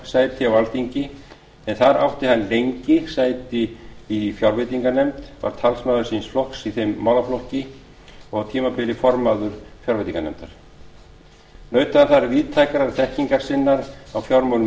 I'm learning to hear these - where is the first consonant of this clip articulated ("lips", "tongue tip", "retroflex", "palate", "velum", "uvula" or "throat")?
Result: tongue tip